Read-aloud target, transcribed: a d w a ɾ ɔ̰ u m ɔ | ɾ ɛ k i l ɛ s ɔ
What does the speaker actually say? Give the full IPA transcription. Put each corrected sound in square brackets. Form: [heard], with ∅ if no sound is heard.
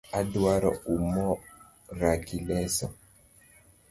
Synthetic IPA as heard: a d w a ɾ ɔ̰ u m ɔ | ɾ [a] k i l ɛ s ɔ